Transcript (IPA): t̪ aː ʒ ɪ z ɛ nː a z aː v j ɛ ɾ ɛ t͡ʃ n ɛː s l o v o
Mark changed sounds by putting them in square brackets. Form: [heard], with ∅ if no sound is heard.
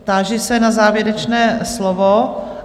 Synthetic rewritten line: t̪ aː ʒ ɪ [s] ɛ [n] a z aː v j ɛ ɾ ɛ t͡ʃ n ɛː s l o v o